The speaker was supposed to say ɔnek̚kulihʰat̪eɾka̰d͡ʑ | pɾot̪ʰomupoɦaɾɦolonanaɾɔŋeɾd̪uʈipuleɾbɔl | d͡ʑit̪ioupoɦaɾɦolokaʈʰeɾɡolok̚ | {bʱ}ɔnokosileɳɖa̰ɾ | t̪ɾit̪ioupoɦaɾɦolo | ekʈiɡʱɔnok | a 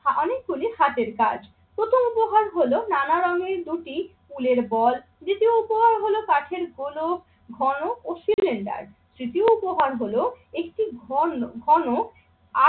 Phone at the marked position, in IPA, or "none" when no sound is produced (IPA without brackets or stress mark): ɡʱ